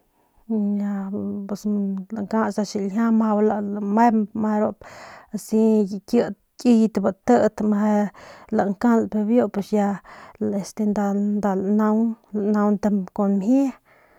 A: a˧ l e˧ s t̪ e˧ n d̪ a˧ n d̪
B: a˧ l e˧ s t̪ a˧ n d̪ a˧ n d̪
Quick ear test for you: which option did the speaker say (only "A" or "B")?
A